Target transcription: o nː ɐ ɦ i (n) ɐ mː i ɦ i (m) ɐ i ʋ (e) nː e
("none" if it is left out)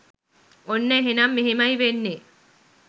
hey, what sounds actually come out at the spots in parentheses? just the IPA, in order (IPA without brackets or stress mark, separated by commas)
n, m, e